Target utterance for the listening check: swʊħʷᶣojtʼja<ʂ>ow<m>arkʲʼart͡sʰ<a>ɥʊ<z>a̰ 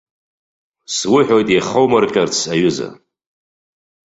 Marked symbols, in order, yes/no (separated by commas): no, yes, yes, yes